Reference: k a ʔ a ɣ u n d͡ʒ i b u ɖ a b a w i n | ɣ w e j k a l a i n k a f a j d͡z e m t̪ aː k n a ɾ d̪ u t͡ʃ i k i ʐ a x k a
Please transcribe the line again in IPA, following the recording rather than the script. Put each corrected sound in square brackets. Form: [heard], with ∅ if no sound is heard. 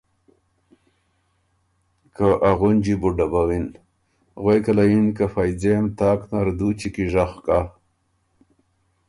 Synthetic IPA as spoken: k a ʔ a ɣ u n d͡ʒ i b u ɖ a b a w i n | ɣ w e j k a l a i n k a f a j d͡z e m t̪ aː k n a ɾ d̪ u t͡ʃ i k i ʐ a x k a

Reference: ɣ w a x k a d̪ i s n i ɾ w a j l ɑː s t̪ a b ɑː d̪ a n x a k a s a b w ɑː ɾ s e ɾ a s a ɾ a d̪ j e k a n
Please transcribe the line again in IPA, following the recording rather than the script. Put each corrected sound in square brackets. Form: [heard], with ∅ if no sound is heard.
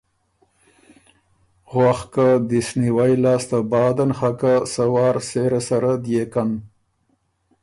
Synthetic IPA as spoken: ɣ w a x k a d̪ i s n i [∅] w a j l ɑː s t̪ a b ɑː d̪ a n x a k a s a [∅] w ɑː ɾ s e ɾ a s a ɾ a d̪ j e k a n

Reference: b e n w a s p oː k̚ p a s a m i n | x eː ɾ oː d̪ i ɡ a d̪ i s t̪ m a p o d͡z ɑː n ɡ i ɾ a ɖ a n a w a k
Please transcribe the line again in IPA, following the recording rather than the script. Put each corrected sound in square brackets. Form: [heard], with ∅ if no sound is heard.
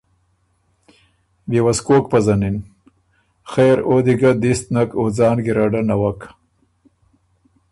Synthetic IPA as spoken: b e [∅] w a s [k] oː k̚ p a [z] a [n] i n | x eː ɾ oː d̪ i ɡ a d̪ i s t̪ [n] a [k] o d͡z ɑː n ɡ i ɾ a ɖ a n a w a k

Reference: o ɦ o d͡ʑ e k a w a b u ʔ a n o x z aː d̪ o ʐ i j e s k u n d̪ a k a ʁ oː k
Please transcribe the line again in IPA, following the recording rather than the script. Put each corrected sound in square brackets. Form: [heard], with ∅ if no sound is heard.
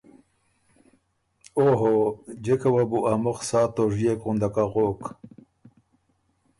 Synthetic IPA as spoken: o ɦ o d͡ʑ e k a w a b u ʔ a [m] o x [s] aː [t̪] o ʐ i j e [∅] k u n d̪ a k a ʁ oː k

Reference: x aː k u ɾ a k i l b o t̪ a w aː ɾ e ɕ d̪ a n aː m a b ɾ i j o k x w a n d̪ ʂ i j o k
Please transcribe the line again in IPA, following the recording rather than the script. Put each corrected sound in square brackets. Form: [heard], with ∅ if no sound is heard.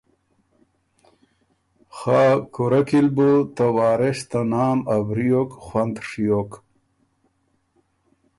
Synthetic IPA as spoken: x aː k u ɾ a k i l b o t̪ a w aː ɾ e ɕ [t̪] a n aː m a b ɾ i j o k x w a n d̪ ʂ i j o k

